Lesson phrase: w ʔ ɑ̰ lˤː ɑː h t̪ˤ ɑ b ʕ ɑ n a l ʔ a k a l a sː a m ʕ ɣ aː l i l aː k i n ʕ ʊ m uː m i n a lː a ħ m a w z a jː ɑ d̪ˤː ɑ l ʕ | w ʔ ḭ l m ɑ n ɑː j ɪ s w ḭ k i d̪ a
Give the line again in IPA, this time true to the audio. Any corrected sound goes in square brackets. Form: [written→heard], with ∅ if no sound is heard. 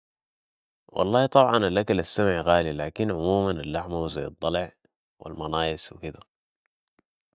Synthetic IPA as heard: w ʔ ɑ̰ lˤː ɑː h t̪ˤ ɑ b ʕ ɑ n a l ʔ a k a l a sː a m ʕ ɣ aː l i l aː k i n ʕ ʊ m uː m [i→a] n a lː a ħ m a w z a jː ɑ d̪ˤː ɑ l ʕ | w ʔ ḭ l m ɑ n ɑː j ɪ s w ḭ k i d̪ a